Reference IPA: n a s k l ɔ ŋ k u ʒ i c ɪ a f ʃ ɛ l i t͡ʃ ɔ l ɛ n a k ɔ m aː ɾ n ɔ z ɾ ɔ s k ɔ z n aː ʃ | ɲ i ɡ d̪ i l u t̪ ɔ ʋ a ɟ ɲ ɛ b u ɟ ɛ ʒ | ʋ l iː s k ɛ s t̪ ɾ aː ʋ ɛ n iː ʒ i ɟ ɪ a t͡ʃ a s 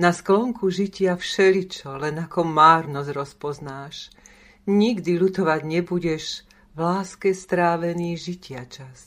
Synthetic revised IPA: n a s k l ɔ ŋ k u ʒ i c ɪ a f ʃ ɛ l i t͡ʃ ɔ l ɛ n a k ɔ m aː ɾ n ɔ z ɾ ɔ s p ɔ z n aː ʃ | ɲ i ɡ d̪ i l u t̪ ɔ ʋ a ɟ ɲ ɛ b u ɟ ɛ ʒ | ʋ l aː s k ɛ s t̪ ɾ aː ʋ ɛ n iː ʒ i c ɪ a t͡ʃ a s